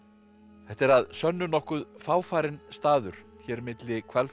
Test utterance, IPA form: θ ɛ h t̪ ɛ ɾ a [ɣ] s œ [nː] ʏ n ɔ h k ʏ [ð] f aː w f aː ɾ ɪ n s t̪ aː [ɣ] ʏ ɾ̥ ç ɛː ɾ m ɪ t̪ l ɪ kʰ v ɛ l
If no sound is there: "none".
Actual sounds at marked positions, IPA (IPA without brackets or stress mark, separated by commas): ð, nː, ð, ð